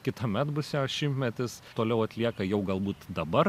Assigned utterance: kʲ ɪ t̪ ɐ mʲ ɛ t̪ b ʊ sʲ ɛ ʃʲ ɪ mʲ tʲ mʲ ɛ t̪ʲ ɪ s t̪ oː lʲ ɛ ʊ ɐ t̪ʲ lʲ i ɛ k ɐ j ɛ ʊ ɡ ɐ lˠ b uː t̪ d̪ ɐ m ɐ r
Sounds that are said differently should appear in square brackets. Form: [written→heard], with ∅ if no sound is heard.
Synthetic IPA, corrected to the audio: kʲ ɪ t̪ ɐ mʲ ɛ t̪ b ʊ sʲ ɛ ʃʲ ɪ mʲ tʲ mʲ ɛ t̪ʲ ɪ s t̪ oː lʲ ɛ ʊ ɐ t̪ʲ lʲ i ɛ k ɐ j ɛ ʊ ɡ ɐ lˠ b uː t̪ d̪ ɐ [m→b] ɐ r